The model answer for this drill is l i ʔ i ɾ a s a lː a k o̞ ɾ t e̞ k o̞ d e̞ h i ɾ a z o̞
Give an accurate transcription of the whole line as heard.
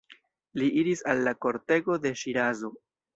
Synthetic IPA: l i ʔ i ɾ i s a lː a k o̞ ɾ t e̞ ɡ o̞ d e̞ ʃ i ɾ a z o̞